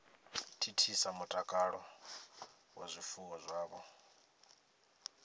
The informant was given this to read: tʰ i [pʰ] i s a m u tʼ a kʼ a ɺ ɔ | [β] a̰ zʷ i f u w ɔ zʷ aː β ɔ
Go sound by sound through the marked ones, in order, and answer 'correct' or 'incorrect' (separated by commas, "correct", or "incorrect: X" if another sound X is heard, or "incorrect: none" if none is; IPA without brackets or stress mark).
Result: incorrect: tʰ, incorrect: w